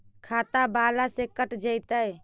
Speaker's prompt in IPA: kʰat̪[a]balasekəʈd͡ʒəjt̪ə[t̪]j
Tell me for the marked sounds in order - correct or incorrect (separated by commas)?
correct, incorrect